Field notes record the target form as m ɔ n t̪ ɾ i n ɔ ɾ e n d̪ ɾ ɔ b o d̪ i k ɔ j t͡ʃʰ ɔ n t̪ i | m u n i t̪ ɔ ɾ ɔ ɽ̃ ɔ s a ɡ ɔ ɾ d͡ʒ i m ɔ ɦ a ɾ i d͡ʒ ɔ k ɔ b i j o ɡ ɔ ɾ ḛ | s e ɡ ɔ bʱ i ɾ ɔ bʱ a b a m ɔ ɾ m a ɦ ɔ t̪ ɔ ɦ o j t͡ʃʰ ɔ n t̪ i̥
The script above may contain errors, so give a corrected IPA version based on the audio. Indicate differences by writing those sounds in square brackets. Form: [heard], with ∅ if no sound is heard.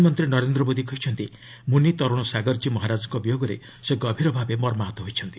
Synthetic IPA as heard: m ɔ n t̪ ɾ i n ɔ ɾ e n d̪ ɾ ɔ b o d̪ i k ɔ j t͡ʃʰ ɔ n t̪ i | m u n i t̪ ɔ ɾ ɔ ɽ̃ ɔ s a ɡ ɔ ɾ d͡ʒ i m ɔ ɦ a ɾ [a] d͡ʒ ɔ k ɔ b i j o ɡ ɔ ɾ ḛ | s e ɡ ɔ bʱ i ɾ ɔ bʱ a b [e] m ɔ ɾ m a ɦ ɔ t̪ ɔ ɦ o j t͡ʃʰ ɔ n t̪ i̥